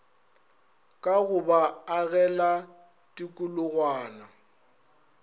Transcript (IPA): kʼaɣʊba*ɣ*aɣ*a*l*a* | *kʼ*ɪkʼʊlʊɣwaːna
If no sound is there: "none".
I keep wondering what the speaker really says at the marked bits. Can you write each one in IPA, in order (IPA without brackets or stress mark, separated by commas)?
none, ɛ, a, tʼ